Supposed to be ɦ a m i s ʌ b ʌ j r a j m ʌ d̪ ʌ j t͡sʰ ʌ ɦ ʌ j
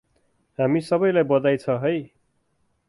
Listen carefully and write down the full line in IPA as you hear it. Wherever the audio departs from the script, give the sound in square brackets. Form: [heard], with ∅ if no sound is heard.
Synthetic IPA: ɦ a m i s ʌ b ʌ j [l] a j [b] ʌ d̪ [a] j t͡sʰ ʌ ɦ ʌ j